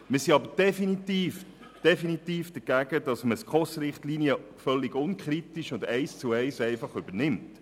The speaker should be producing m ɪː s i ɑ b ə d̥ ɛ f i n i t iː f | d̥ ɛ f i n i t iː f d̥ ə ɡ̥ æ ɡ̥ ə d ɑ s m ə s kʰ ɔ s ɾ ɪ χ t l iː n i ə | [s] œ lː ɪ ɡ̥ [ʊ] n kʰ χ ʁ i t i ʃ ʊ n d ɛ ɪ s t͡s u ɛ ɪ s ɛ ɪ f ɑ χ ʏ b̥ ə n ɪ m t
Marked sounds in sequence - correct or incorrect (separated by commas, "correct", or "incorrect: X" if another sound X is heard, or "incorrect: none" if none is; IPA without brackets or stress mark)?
incorrect: f, correct